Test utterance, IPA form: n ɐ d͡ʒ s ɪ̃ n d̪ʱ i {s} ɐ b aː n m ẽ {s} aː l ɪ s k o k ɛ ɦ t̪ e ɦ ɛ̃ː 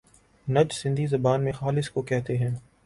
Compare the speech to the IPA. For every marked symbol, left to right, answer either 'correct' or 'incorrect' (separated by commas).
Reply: incorrect, incorrect